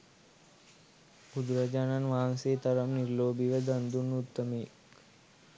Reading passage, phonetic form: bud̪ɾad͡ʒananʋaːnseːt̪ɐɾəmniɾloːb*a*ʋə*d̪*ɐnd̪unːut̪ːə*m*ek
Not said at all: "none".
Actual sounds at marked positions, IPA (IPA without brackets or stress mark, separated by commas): i, d̪, m